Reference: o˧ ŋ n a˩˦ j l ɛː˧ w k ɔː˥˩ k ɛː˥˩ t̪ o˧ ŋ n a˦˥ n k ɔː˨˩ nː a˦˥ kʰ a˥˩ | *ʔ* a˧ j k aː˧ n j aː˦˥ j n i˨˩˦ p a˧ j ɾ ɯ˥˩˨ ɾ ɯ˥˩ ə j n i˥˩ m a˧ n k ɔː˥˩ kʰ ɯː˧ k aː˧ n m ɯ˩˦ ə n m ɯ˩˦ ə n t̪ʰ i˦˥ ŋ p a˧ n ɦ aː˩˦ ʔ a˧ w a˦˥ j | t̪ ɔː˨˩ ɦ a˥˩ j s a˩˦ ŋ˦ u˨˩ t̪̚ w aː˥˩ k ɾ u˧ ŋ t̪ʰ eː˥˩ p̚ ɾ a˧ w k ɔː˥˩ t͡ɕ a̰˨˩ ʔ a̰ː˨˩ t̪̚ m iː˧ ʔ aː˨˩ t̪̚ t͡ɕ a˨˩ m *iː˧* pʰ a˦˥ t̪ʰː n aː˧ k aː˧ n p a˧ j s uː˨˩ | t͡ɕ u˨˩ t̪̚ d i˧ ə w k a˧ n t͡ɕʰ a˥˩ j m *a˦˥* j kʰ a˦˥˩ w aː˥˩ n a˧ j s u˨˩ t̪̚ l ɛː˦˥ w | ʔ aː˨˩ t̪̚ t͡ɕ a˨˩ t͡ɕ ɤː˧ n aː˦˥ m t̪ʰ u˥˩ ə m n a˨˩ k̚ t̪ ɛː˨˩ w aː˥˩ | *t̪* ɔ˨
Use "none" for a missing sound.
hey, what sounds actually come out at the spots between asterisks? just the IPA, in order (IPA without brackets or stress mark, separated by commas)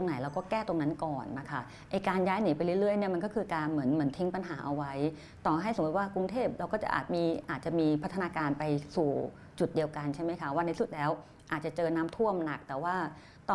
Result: ʔ, iː˧, a˦˥, t̪